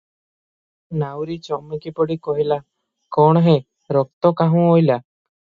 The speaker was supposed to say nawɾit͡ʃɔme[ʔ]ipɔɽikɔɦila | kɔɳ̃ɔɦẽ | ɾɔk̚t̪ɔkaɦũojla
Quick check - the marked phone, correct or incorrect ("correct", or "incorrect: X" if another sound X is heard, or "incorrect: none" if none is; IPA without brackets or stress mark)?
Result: incorrect: k